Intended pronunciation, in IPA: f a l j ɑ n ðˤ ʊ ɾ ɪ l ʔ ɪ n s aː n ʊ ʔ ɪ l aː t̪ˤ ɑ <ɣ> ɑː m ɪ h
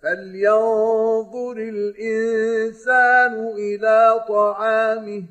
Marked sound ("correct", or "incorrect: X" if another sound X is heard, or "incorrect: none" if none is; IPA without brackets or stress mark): incorrect: ʕ